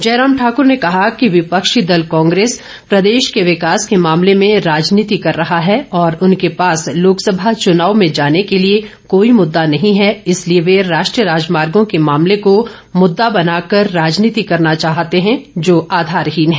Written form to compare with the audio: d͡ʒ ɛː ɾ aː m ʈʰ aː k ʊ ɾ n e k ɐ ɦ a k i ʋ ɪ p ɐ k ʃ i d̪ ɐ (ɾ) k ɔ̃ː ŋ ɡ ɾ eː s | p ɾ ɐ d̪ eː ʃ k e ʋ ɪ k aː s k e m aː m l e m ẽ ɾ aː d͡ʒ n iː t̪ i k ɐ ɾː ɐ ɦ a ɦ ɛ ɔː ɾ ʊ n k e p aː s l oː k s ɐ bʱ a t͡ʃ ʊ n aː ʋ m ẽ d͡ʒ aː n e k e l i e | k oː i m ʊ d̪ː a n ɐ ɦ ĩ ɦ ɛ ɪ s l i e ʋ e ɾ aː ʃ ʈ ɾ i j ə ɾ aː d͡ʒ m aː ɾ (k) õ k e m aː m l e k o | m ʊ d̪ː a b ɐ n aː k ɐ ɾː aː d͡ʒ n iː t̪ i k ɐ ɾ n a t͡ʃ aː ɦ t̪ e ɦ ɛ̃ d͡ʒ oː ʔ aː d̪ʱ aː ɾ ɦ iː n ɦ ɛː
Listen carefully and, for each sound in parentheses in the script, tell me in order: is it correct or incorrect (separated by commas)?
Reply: incorrect, incorrect